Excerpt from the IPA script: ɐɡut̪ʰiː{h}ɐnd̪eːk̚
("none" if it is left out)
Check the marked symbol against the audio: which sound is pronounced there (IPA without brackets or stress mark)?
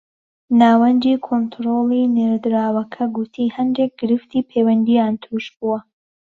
h